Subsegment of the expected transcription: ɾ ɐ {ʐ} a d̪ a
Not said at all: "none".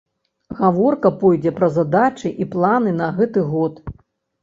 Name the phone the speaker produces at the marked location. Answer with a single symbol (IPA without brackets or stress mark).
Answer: z